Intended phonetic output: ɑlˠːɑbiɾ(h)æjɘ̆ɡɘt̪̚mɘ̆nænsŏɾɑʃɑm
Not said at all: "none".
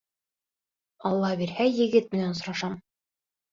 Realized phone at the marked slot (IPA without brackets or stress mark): h